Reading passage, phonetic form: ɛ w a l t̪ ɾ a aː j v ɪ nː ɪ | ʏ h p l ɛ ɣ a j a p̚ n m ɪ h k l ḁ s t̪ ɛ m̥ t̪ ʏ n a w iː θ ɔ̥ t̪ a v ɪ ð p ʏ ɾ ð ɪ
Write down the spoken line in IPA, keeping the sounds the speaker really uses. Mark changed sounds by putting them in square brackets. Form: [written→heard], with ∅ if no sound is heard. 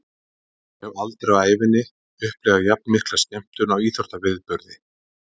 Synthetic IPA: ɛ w a l t̪ ɾ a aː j v ɪ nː ɪ | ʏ h p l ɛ ɣ a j a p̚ n m ɪ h k l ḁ s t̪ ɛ m̥ t̪ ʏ n a w iː θ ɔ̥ t̪ a v ɪ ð p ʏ ɾ ð ɪ